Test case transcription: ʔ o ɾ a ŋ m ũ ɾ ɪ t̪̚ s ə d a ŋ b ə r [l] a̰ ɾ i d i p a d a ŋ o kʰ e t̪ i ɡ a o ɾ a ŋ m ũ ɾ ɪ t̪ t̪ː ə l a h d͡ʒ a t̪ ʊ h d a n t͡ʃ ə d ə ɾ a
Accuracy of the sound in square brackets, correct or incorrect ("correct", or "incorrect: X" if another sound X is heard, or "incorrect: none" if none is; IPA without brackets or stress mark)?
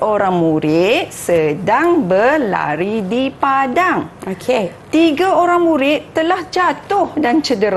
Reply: correct